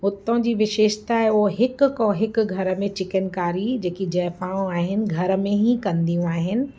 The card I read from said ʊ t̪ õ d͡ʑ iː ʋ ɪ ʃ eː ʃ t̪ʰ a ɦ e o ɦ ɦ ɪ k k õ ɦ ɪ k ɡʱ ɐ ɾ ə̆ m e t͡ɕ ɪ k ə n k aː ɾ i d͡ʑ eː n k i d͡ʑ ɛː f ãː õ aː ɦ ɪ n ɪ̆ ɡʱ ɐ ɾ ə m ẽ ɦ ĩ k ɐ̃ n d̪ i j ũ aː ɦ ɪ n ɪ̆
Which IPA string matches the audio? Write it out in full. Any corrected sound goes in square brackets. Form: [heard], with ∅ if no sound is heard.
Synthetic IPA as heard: ʊ t̪ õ d͡ʑ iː ʋ ɪ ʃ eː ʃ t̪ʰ a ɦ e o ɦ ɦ ɪ k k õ ɦ ɪ k ɡʱ ɐ ɾ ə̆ m [ẽ] t͡ɕ ɪ k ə n k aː ɾ i d͡ʑ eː [∅] k i d͡ʑ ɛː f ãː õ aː ɦ ɪ n ɪ̆ ɡʱ ɐ ɾ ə m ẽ ɦ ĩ k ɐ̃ n d̪ i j ũ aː ɦ ɪ n ɪ̆